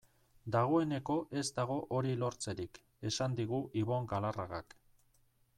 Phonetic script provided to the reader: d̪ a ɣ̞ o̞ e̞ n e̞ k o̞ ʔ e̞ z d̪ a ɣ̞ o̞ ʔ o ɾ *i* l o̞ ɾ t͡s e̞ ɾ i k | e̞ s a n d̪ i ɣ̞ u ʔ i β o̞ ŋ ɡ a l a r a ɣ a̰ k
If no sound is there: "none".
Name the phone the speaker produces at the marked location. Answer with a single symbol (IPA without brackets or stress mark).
i